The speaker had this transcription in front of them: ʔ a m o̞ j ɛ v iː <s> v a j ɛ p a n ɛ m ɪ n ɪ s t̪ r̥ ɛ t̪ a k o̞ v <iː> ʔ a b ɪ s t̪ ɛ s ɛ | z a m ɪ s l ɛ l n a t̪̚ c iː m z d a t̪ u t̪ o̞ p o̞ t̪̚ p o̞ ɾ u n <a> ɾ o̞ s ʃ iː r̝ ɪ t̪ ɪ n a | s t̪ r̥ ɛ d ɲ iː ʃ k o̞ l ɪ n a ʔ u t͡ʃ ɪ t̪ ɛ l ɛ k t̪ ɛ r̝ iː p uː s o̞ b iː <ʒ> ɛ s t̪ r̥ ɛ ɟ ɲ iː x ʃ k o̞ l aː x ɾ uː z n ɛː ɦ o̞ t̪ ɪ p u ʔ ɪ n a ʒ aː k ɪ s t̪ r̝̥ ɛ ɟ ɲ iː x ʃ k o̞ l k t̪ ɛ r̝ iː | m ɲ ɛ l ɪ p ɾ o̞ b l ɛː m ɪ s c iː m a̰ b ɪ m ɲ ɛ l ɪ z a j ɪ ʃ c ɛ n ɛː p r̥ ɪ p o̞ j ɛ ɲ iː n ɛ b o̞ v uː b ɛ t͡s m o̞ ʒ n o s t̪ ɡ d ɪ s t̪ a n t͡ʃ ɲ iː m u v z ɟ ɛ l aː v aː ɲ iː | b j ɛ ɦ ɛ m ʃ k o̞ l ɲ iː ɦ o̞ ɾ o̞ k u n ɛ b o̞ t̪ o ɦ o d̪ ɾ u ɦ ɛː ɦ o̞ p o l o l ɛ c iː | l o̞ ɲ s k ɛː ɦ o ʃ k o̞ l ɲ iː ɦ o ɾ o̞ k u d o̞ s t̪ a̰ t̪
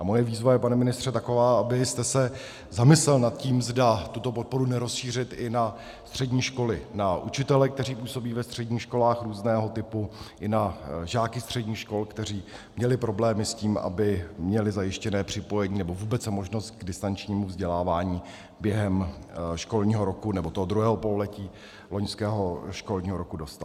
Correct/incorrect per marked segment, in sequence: incorrect, incorrect, incorrect, incorrect

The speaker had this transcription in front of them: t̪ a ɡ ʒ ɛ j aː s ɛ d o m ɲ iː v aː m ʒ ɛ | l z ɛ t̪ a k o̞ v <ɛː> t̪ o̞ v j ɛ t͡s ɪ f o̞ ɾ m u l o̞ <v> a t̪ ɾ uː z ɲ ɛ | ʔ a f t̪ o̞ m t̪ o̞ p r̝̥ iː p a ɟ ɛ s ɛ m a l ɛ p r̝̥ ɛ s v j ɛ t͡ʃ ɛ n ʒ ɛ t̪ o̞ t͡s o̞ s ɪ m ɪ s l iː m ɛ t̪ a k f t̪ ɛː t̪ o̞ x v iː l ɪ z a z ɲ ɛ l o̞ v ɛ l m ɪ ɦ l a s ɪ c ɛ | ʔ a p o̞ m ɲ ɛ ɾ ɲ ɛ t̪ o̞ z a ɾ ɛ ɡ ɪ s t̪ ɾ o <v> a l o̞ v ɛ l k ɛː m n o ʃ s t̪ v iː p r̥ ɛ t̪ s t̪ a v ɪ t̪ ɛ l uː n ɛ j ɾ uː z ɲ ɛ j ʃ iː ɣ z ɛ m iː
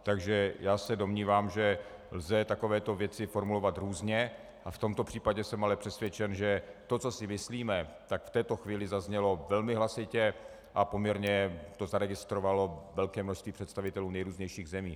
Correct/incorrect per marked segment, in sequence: correct, correct, correct

